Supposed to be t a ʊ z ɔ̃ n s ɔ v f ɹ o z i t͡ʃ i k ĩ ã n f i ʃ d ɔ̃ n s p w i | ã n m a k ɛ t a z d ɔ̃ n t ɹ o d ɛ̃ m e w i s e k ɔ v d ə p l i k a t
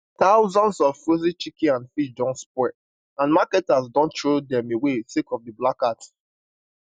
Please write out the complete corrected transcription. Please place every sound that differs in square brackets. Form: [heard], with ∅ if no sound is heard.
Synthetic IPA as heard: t a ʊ z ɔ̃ n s ɔ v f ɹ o z i t͡ʃ i k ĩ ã n f i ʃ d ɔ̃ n s p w [ɛ] | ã n m a k ɛ t a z d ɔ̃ n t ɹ o d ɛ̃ m e w [e] s e k ɔ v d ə [b] l [a] k a t